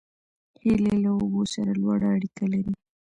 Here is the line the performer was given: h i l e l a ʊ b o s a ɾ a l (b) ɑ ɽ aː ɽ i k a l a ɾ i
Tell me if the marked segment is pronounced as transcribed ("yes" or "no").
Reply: no